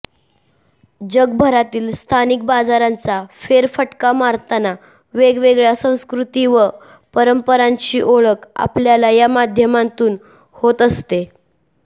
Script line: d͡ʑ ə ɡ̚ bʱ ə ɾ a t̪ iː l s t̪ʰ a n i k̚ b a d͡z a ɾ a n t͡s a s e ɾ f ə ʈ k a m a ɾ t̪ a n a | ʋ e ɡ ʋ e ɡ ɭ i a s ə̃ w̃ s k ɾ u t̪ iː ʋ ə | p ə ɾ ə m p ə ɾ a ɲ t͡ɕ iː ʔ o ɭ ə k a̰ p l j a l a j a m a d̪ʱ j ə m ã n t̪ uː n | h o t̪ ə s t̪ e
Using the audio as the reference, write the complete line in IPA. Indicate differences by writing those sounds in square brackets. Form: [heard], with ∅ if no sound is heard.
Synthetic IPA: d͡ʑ ə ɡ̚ bʱ ə ɾ a t̪ iː l s t̪ʰ a n i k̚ b a d͡z a ɾ a n t͡s a [f] e ɾ f ə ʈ k a m a ɾ t̪ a n a | ʋ e ɡ ʋ e ɡ ɭ [j] a s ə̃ w̃ s k ɾ u t̪ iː ʋ ə | p ə ɾ ə m p ə ɾ a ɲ t͡ɕ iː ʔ o ɭ ə k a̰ p l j a l a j a m a d̪ʱ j ə m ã n t̪ uː n | h o t̪ ə s t̪ e